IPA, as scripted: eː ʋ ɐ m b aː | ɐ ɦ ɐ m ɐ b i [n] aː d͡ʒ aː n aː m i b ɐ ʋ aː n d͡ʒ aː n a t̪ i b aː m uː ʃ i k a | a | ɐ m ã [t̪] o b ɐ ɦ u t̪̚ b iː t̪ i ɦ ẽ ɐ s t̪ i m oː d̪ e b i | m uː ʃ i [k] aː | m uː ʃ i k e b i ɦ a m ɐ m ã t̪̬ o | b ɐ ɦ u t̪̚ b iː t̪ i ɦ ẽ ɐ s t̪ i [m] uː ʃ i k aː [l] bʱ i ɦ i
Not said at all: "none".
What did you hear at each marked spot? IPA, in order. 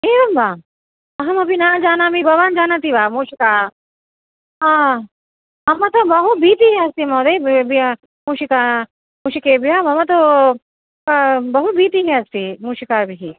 n, t̪, k, m, ɾ

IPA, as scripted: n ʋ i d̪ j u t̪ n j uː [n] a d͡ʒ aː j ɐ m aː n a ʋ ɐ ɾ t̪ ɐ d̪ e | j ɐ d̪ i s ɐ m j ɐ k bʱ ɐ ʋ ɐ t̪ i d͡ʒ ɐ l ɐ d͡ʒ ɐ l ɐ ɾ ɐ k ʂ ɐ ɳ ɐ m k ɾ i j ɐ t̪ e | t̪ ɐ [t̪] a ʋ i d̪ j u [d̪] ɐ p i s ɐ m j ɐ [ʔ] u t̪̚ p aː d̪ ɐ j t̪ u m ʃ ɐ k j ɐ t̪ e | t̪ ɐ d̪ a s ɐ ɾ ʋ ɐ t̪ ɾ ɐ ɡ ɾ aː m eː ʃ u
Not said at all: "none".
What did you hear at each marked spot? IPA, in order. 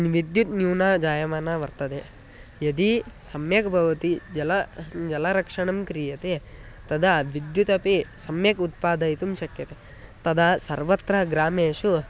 n, d̪, t̪, k

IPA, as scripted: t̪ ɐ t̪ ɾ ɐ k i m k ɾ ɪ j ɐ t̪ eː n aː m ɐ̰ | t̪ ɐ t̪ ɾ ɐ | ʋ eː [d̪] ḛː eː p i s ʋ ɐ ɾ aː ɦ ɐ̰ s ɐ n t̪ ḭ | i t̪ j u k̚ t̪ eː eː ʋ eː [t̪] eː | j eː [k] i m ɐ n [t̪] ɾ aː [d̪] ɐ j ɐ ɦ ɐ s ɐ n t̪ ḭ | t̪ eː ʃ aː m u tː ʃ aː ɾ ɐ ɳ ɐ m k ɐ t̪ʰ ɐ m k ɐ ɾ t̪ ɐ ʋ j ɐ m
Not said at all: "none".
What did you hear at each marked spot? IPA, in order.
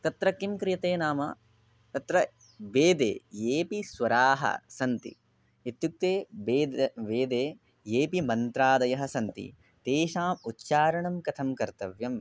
d̪, d̪, p, t̪, d̪

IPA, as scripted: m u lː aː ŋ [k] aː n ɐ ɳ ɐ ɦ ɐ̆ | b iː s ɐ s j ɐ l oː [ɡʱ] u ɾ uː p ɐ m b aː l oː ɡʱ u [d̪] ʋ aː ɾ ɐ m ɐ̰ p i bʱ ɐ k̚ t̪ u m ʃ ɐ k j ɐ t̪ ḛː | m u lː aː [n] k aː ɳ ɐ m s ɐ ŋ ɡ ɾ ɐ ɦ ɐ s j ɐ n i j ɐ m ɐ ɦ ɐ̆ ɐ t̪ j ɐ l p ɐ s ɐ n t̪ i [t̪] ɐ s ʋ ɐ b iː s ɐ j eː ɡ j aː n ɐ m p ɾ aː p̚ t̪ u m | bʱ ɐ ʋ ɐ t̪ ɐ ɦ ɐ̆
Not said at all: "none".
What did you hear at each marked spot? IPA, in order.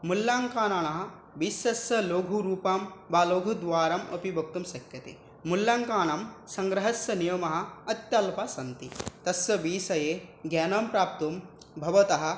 k, ɡʱ, d̪, ŋ, t̪

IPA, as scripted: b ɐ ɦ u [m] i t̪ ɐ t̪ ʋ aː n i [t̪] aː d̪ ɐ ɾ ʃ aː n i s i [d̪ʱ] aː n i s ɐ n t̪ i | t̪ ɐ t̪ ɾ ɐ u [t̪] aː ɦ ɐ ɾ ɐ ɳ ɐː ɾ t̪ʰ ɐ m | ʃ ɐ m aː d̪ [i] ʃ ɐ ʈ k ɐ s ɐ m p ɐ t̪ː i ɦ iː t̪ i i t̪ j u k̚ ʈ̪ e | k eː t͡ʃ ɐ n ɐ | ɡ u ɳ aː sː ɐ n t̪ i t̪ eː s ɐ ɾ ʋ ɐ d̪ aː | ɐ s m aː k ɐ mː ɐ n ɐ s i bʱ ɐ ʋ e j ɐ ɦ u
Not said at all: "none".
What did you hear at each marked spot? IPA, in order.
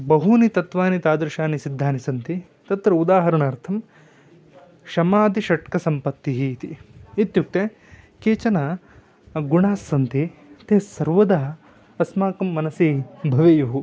n, t̪, d̪ʱː, d̪, i

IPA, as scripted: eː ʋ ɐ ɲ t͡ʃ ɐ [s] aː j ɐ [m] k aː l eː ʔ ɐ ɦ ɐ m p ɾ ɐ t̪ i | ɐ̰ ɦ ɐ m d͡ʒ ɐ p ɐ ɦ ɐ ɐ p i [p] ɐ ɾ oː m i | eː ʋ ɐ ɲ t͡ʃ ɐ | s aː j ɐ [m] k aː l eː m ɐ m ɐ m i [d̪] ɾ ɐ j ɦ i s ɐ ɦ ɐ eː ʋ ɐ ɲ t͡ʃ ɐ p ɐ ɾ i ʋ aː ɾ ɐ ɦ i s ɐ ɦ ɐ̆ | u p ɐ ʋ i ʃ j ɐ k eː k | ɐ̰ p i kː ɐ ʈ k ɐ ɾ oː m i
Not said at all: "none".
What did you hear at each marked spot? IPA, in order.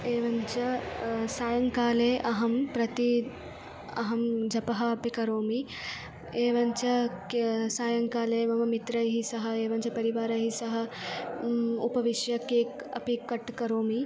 s, ŋ, k, ŋ, t̪

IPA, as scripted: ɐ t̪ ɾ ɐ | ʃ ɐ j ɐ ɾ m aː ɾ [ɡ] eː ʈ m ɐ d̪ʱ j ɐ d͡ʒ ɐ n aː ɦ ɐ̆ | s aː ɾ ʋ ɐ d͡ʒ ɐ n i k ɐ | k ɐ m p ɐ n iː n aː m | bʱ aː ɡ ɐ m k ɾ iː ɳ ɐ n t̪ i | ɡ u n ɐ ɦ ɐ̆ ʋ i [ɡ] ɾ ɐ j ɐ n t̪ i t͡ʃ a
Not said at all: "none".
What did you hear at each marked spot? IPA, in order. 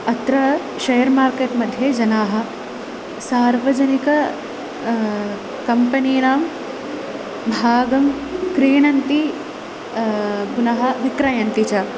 k, k

